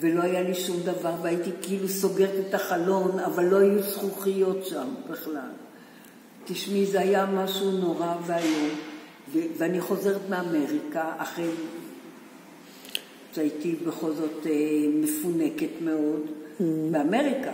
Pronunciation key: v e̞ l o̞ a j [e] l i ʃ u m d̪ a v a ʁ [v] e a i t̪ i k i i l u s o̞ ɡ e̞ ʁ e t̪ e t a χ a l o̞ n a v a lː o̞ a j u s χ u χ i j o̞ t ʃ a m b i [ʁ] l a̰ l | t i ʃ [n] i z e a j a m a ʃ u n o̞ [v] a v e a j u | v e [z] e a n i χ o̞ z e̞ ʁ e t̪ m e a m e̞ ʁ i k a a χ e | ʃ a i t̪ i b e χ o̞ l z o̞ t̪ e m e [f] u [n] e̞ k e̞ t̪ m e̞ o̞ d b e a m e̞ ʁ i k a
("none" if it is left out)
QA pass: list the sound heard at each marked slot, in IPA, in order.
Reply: a, v, χ, m, ʁ, v, f, n

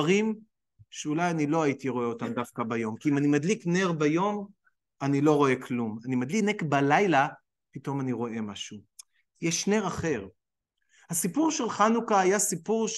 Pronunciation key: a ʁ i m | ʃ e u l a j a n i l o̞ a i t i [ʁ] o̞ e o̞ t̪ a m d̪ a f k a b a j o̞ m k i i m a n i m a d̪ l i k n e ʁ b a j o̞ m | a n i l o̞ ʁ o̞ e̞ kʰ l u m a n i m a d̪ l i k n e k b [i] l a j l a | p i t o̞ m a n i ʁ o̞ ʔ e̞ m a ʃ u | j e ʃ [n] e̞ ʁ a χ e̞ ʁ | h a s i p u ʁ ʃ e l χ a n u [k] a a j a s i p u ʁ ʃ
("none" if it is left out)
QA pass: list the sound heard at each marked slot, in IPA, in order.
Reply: ʁ, a, n, k

